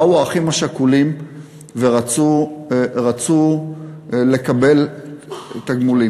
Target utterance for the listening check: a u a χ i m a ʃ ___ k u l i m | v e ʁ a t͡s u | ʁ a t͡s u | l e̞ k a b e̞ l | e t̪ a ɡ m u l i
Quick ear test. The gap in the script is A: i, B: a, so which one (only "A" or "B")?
B